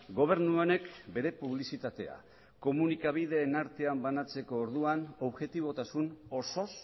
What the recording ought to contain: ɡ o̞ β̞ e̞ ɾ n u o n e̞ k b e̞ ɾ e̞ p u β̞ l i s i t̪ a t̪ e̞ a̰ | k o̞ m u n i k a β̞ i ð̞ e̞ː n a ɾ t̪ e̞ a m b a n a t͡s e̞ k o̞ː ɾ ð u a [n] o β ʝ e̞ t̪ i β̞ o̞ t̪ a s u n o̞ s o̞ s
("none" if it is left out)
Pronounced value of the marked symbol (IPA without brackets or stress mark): n